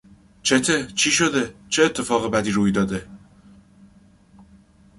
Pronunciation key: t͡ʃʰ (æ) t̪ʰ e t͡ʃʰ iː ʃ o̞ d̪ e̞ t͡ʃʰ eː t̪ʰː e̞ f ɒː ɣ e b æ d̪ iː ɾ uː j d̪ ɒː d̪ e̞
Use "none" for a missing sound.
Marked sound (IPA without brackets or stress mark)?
e